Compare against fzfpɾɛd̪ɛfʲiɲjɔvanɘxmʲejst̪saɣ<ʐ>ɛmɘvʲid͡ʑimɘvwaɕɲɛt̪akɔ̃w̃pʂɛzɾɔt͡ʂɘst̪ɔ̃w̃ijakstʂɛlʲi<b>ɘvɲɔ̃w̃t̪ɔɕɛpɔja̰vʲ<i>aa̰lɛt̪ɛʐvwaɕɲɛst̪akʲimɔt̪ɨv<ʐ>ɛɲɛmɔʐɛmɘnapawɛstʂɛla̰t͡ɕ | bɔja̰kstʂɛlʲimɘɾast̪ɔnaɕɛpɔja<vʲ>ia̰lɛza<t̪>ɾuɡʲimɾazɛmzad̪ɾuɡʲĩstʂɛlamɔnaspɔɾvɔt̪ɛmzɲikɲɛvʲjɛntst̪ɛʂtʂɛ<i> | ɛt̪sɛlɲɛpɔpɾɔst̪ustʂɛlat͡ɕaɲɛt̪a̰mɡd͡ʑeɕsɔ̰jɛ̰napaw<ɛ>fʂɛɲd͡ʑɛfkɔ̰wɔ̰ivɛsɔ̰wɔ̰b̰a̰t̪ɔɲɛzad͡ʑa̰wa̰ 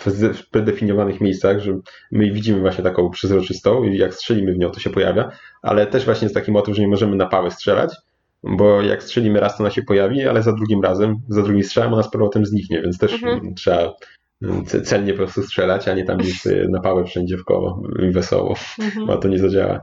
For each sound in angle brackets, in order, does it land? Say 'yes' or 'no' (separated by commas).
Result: yes, no, no, yes, yes, no, no, yes